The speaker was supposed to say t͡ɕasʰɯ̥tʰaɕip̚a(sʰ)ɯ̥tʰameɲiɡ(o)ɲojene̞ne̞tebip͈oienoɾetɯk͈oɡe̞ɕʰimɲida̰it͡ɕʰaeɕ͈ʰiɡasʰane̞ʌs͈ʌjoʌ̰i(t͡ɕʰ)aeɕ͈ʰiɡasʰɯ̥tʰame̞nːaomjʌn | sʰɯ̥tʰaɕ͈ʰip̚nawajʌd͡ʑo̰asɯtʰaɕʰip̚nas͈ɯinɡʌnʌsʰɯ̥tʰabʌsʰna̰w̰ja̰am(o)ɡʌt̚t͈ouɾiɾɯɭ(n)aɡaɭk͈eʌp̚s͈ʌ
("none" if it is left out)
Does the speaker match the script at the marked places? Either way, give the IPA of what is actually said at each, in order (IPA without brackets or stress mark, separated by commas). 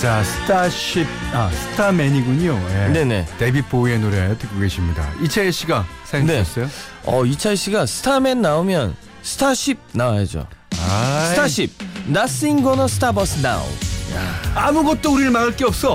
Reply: sʰ, u, t͡ɕʰ, u, m